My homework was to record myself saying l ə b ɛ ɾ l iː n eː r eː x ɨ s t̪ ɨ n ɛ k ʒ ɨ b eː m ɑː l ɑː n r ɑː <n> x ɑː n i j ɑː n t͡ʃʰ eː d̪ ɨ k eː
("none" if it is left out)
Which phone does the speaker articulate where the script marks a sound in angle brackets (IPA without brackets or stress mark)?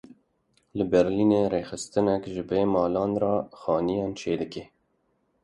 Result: none